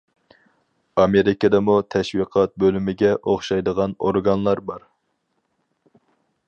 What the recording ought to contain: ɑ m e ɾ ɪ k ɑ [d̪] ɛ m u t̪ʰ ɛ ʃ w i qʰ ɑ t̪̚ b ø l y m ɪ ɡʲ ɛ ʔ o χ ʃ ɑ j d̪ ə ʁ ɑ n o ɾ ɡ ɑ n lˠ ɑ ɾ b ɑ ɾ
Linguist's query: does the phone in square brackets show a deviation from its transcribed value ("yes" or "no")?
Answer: no